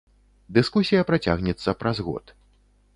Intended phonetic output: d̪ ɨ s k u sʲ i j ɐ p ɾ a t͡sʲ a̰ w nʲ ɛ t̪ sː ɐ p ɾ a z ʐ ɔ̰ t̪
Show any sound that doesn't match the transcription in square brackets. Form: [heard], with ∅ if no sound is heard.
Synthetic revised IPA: d̪ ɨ s k u sʲ i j ɐ p ɾ a t͡sʲ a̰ [ɣ] nʲ ɛ t̪ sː ɐ p ɾ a z [ɣ] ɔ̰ t̪